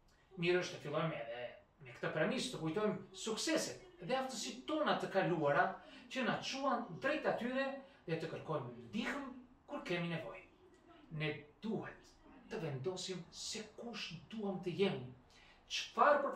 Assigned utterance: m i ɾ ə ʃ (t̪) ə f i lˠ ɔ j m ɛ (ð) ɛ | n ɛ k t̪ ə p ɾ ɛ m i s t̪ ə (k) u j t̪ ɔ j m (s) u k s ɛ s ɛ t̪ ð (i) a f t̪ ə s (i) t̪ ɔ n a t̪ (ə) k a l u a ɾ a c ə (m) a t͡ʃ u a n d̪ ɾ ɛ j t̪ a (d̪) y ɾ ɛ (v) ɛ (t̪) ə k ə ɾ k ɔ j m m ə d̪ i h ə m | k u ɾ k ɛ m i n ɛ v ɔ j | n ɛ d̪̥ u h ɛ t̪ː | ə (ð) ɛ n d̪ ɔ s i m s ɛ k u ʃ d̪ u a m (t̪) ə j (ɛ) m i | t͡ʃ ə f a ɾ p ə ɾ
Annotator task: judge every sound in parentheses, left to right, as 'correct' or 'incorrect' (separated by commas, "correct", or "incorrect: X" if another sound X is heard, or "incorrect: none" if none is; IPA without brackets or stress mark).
correct, correct, correct, correct, incorrect: ɛ, correct, correct, incorrect: n, incorrect: t̪, incorrect: ð, correct, incorrect: v, correct, correct